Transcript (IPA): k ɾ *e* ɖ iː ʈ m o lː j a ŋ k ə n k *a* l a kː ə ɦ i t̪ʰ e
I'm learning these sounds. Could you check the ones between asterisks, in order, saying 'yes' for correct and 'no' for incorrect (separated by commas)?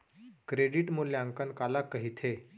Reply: yes, yes